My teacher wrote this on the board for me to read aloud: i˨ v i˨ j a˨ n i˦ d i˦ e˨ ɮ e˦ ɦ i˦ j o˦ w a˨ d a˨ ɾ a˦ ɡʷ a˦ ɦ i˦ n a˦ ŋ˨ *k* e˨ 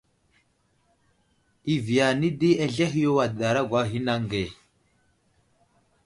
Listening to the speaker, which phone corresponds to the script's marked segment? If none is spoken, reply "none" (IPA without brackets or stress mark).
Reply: ɡ